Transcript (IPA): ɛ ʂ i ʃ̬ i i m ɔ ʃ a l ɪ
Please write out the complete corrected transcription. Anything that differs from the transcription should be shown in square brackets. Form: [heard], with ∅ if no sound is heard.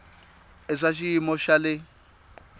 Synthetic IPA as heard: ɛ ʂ [a] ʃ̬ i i m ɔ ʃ a l ɪ